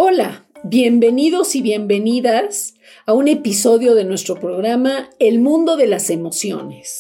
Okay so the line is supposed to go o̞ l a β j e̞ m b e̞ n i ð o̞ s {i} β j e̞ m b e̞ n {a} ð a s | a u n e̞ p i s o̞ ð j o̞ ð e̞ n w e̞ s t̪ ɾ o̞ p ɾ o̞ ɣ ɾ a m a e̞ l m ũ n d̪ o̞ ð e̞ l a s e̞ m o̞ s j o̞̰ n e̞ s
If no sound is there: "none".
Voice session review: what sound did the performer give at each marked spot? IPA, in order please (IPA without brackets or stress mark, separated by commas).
i, i